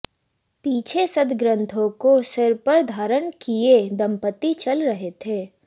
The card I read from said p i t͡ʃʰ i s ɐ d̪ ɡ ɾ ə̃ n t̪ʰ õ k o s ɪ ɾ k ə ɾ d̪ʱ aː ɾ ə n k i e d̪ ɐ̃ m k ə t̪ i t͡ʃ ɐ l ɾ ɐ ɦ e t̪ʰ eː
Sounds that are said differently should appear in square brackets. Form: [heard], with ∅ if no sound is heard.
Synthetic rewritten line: p [iː] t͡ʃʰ [e] s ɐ d̪ ɡ ɾ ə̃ n t̪ʰ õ k o s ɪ ɾ [p] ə ɾ d̪ʱ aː ɾ ə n k i e d̪ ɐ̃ m [p] ə t̪ i t͡ʃ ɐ l ɾ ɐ ɦ e t̪ʰ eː